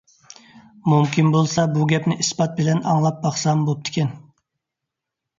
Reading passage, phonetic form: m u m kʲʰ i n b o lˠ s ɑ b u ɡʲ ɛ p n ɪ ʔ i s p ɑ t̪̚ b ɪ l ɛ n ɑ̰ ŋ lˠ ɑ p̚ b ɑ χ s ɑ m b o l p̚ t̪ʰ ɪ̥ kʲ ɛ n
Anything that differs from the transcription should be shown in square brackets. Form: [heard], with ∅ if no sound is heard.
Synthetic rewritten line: m u m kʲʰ i n b o lˠ s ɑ b u ɡʲ ɛ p n ɪ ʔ i s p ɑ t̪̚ b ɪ l ɛ n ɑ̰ ŋ lˠ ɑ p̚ b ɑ χ s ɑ m b o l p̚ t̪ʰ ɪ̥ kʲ ɛ n